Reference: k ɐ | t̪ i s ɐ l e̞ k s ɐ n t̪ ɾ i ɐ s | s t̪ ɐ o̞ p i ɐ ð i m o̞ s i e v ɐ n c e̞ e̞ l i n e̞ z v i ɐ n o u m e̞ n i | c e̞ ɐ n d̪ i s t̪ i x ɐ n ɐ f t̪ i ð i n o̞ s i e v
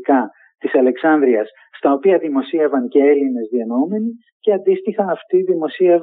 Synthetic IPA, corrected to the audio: k ɐ | t̪ i s ɐ l e̞ k s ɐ n d̪ ɾ i ɐ s | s t̪ ɐ o̞ p i ɐ ð i m o̞ s i e v ɐ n c e̞ e̞ l i n e̞ z ð i ɐ n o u m e̞ n i | c e̞ ɐ n d̪ i s t̪ i x ɐ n ɐ f t̪ i ð i m o̞ s i e v